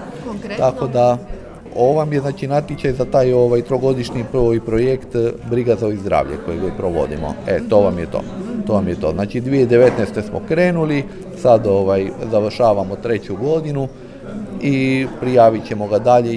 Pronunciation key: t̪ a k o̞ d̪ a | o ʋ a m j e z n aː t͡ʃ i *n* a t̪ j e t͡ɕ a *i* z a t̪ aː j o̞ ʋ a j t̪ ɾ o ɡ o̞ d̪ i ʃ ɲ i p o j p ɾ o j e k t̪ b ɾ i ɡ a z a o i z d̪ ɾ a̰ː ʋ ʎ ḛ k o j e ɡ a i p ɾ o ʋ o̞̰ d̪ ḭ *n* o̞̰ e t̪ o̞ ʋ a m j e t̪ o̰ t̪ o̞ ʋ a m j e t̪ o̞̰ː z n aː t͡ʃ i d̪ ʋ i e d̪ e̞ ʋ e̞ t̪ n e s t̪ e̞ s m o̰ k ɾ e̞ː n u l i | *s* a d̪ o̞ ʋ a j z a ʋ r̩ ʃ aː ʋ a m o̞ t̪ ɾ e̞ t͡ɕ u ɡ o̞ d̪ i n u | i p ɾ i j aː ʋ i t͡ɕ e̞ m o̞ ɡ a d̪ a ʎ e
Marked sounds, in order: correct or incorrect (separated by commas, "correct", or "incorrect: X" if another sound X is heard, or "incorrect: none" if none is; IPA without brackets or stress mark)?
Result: correct, incorrect: j, incorrect: m, correct